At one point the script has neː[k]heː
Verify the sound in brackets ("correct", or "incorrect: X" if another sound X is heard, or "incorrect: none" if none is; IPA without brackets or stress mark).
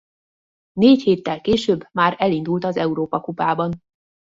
incorrect: c